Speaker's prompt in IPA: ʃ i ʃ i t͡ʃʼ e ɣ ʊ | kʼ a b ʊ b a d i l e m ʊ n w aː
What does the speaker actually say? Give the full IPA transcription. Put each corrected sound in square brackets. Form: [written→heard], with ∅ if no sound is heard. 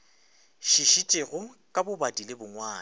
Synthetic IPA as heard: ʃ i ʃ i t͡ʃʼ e ɣ ʊ | kʼ a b ʊ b a d i l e [m→b] ʊ [n→ŋ] w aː